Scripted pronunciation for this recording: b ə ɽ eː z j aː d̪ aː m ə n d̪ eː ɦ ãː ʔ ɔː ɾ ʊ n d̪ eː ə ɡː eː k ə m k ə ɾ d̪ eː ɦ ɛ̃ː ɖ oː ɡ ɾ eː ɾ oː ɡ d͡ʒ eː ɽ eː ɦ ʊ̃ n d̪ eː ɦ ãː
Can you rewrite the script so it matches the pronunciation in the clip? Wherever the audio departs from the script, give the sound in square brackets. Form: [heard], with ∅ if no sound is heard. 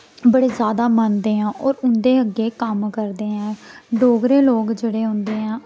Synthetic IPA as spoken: b ə ɽ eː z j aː d̪ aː m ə n d̪ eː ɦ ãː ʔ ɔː ɾ ʊ n d̪ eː ə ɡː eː k ə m k ə ɾ d̪ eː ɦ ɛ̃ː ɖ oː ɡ ɾ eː [l] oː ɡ d͡ʒ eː ɽ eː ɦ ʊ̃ n d̪ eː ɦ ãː